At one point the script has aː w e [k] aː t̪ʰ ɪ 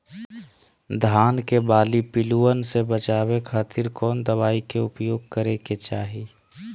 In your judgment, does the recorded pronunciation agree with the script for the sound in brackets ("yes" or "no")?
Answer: no